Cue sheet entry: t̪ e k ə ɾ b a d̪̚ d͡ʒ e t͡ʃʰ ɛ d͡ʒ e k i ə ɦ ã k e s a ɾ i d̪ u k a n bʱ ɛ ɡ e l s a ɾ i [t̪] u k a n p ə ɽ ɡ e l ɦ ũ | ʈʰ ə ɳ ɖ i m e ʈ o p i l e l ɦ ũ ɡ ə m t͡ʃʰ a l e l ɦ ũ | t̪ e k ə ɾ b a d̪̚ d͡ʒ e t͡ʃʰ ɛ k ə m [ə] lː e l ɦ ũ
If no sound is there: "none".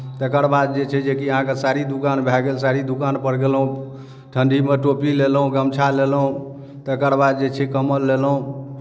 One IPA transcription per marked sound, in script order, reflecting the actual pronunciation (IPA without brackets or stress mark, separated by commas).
d̪, ə